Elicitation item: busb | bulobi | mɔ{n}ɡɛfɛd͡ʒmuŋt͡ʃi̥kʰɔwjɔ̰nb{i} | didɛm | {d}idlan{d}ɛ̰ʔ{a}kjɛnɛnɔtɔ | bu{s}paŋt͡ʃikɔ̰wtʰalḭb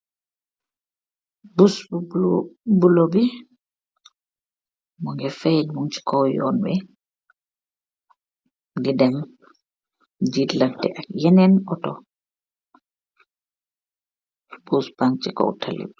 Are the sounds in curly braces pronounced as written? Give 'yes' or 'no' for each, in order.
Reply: no, no, no, no, yes, yes

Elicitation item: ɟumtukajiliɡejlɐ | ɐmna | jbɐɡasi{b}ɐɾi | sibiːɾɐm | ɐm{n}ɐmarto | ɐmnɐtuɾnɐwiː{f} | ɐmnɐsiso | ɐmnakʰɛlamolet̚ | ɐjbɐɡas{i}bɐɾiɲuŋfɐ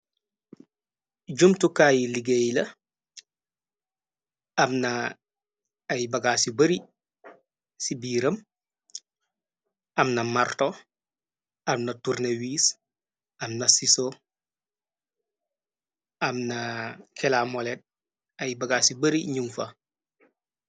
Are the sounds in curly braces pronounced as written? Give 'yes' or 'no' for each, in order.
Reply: yes, yes, no, yes

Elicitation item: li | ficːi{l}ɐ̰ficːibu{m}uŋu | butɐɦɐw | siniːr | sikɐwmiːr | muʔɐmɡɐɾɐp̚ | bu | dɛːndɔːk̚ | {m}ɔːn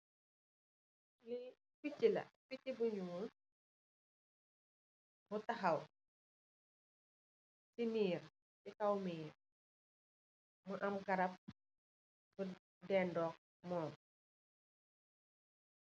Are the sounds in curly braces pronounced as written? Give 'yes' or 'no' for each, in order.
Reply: yes, no, yes

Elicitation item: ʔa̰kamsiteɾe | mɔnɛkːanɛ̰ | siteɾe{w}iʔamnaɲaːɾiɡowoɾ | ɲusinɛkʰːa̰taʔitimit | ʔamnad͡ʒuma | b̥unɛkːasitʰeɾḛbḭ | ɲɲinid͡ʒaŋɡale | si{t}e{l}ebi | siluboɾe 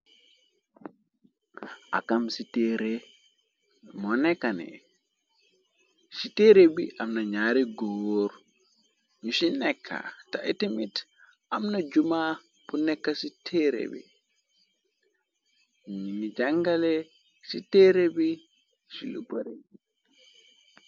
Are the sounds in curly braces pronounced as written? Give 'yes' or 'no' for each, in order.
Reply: no, yes, no

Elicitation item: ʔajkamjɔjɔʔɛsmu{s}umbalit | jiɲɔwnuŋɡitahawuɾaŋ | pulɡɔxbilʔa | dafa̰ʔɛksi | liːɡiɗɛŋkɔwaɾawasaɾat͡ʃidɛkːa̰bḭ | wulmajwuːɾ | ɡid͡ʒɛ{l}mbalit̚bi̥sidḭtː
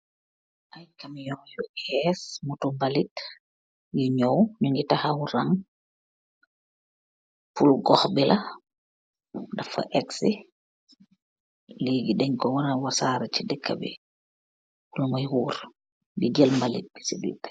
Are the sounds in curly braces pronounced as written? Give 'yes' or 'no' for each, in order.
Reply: no, yes

